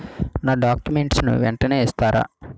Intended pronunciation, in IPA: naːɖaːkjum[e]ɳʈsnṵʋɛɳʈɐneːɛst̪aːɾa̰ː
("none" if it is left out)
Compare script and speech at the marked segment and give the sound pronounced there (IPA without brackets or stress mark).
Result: e